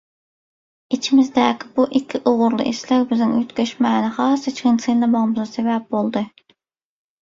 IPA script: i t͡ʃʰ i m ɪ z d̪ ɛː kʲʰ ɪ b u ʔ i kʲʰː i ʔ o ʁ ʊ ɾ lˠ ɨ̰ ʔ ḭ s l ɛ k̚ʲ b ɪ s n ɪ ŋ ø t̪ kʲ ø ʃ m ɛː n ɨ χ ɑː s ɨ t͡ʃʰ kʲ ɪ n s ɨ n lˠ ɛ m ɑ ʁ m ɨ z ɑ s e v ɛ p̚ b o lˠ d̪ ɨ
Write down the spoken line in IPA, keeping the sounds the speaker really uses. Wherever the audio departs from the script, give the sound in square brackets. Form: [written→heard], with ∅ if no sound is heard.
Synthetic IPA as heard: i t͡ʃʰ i m ɪ z d̪ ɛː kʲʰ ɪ b u ʔ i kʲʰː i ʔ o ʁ ʊ ɾ lˠ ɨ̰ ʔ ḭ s l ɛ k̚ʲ b ɪ [s→z] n ɪ ŋ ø t̪ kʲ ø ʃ m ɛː n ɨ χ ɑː s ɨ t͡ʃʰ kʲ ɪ n s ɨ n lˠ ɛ m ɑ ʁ m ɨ z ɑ s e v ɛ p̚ b o lˠ d̪ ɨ